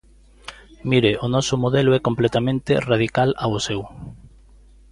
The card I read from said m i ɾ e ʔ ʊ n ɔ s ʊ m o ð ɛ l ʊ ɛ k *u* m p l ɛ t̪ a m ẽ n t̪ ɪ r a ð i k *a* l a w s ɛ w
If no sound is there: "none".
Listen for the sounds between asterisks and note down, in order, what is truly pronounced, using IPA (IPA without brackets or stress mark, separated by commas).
o, a